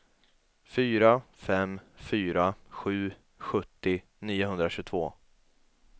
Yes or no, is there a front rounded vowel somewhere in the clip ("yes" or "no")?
yes